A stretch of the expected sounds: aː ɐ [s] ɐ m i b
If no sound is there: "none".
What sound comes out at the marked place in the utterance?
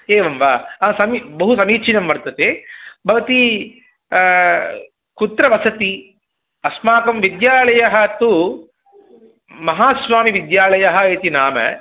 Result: s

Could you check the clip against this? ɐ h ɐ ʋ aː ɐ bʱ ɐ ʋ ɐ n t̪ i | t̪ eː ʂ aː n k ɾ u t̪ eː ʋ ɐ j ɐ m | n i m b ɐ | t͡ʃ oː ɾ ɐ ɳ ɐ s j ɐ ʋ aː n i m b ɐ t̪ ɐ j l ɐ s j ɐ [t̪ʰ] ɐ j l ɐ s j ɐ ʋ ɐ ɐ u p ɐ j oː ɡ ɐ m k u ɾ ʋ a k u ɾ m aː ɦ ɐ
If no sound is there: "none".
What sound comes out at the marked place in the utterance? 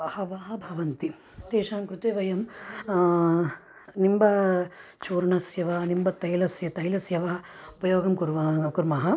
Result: t̪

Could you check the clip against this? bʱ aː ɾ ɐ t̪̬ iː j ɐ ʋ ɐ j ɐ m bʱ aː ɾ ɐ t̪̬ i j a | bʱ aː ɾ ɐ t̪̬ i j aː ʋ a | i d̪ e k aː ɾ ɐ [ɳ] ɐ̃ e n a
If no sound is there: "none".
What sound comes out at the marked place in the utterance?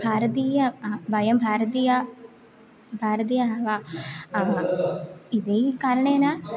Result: ɳ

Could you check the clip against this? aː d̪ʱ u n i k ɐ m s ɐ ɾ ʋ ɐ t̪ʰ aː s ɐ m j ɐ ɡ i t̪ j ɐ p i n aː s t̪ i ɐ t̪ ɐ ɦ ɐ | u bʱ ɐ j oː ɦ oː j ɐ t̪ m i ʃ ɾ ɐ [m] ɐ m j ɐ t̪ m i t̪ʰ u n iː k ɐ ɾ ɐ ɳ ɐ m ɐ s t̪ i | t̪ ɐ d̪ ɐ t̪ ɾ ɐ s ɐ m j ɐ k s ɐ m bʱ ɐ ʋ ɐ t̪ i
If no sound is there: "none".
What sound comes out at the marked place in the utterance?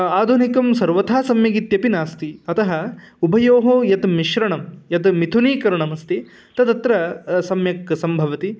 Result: ɳ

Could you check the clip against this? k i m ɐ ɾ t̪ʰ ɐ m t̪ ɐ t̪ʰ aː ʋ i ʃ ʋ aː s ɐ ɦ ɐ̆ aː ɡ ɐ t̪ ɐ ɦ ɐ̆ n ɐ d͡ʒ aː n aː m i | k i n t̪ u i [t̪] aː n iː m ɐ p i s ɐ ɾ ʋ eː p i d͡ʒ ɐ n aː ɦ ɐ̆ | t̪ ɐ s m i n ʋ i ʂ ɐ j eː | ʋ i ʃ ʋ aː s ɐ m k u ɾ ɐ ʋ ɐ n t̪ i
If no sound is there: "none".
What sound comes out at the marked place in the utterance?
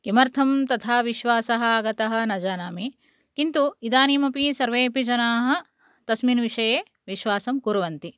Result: d̪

